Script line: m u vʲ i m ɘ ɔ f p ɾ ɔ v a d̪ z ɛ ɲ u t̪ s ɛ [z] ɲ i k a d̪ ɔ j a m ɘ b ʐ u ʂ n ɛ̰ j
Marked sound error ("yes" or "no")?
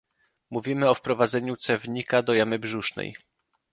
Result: yes